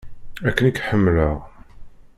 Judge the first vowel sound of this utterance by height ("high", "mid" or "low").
low